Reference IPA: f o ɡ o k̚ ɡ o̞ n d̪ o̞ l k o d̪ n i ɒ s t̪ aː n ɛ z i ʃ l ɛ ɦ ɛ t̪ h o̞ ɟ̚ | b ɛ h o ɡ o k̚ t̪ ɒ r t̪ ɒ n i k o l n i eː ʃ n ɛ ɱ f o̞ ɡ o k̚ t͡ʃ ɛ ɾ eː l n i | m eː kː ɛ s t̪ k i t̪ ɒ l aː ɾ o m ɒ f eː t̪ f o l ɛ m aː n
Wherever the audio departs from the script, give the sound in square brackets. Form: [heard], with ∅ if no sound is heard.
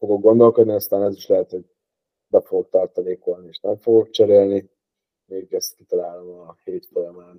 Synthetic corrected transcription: f o ɡ o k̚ ɡ o̞ n d̪ o̞ l k o d̪ n i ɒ s t̪ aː n ɛ z i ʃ l ɛ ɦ ɛ t̪ h o̞ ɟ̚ | b ɛ [f] o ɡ o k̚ t̪ ɒ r t̪ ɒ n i k o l n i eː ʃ n ɛ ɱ f o̞ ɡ o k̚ t͡ʃ ɛ ɾ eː l n i | m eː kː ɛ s t̪ k i t̪ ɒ l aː [l] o m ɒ [h] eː t̪ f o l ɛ m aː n